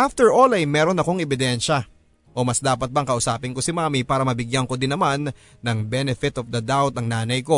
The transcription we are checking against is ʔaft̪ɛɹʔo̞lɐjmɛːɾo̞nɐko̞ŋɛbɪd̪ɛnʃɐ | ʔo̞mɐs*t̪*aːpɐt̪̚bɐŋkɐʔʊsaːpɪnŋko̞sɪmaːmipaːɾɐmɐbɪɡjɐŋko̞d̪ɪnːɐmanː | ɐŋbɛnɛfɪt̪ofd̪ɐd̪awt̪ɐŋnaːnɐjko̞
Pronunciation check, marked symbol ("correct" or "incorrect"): incorrect